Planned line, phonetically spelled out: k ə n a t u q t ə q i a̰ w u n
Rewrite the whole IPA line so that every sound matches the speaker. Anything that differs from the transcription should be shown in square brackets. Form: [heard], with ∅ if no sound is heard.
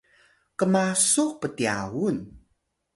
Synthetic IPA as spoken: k ə [m] a [s] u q [p] ə [t] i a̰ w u n